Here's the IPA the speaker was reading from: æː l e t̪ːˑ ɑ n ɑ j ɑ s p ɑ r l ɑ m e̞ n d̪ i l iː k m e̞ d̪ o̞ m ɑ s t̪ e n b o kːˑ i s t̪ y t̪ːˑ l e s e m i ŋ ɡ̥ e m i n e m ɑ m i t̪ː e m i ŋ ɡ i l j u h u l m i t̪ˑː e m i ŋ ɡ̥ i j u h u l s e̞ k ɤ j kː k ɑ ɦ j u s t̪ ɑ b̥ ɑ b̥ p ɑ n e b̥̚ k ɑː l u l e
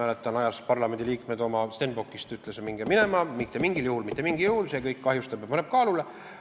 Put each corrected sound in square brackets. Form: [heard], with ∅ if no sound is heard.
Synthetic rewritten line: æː l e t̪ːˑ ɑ n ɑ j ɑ s p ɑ r l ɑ m e̞ n d̪ i l iː k m e̞ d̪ o̞ m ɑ s t̪ e n b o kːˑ i s t̪ y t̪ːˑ l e s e m i ŋ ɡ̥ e m i n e m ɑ m i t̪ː e m i ŋ ɡ i l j u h u l m i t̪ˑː e m i ŋ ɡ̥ i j u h u l s e̞ k ɤ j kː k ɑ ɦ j u s t̪ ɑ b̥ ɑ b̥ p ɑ n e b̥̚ k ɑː l u l e

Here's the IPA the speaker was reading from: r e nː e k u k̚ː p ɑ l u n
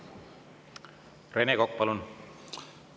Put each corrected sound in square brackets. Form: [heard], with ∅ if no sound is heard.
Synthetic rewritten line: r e [n] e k [o] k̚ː p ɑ l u n

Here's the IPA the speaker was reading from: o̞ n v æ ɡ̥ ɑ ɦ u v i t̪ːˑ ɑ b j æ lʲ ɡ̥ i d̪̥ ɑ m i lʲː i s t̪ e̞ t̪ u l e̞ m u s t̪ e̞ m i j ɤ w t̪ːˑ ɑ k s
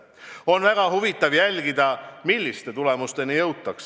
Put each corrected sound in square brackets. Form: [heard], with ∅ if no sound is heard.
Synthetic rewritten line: o̞ n v æ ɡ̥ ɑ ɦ u v i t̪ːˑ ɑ [v] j æ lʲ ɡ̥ i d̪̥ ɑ m i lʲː i s t̪ e̞ t̪ u l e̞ m u s t̪ e̞ [n] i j ɤ w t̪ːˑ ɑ k s

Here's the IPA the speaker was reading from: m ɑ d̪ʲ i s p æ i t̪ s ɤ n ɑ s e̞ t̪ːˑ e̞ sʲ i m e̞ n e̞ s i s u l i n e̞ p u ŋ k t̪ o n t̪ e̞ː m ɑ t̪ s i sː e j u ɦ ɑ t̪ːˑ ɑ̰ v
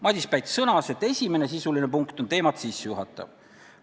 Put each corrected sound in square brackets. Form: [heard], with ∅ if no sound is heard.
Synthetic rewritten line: m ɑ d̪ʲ i s p æ [j] t̪ s ɤ n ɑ s e̞ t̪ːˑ e̞ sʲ i m e̞ n e̞ s i s u l i n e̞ p u ŋ k t̪ o n t̪ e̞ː m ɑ t̪ s i sː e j u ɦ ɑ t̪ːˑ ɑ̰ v

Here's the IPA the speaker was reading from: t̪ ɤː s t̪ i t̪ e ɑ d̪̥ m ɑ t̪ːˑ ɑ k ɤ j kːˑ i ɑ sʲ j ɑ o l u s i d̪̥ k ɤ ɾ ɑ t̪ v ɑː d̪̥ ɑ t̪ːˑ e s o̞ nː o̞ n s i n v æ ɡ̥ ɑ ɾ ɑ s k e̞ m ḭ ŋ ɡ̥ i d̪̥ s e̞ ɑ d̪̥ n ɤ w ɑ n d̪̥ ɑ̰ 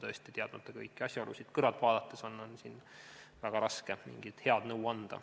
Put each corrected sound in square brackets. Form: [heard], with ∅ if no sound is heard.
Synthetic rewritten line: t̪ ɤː s t̪ i t̪ e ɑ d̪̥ m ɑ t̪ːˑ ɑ k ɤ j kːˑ i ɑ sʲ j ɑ o l u s i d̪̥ k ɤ ɾ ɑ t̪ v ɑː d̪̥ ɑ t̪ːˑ e s o̞ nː o̞ n s i n v æ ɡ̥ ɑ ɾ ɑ s k e̞ m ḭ ŋ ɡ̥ i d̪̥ [h] e̞ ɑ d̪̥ n ɤ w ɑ n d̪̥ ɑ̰

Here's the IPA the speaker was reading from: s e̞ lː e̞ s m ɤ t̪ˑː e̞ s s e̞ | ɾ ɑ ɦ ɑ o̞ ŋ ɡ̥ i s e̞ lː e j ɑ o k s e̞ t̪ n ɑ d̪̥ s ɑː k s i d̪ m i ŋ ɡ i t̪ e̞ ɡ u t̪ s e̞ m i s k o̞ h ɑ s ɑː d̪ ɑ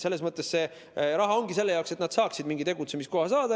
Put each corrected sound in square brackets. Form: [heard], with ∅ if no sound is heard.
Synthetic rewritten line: s e̞ lː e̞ s m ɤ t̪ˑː e̞ s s e̞ | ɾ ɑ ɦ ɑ o̞ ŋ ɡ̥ i s e̞ lː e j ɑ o k s e̞ t̪ n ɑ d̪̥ s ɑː k s i d̪ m i ŋ ɡ i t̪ e̞ ɡ u t̪ s e̞ m i s k o̞ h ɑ s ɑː d̪ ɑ

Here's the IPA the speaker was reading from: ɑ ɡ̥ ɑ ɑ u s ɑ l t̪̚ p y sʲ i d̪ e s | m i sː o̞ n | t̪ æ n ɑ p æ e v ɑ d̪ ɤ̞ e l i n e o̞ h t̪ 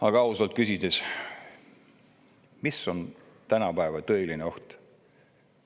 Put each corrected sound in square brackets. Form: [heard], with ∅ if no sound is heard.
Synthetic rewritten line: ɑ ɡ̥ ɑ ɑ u s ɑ l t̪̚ [k] y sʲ i d̪ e s | m i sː o̞ n | t̪ æ n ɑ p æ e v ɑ [t̪] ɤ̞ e l i n e o̞ h t̪

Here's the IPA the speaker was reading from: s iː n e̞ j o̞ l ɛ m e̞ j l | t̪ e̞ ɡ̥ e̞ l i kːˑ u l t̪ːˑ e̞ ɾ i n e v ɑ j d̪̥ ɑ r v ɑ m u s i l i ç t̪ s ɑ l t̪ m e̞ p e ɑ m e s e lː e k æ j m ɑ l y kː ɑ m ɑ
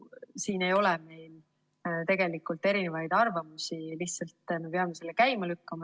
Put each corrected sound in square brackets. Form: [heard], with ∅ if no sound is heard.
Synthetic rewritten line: s iː n e̞ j o̞ l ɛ m e̞ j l | t̪ e̞ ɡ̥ e̞ l i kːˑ u l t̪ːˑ e̞ ɾ i n e v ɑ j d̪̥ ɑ r v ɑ m u s i l i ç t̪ s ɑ l t̪ m e̞ p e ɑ m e s e lː e k æ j m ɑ l y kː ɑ m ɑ

